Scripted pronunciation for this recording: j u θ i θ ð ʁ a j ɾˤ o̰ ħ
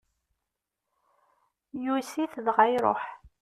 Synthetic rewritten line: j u s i θ ð ʁ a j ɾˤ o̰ ħ